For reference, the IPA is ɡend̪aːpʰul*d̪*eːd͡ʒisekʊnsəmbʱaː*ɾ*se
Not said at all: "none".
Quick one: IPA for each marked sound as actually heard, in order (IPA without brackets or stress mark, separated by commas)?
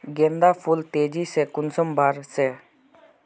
t̪, ɾ